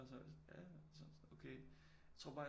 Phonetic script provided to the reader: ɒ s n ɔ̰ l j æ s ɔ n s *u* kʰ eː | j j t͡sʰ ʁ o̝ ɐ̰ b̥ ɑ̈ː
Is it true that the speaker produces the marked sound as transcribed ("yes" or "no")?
no